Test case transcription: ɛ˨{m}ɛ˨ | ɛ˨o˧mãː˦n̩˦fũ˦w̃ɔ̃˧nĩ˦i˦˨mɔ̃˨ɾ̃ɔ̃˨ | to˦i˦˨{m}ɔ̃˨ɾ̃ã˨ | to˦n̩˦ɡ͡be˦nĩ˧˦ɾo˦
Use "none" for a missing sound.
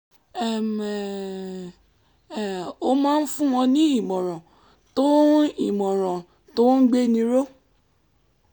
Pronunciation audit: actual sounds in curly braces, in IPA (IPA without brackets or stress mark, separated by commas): m, m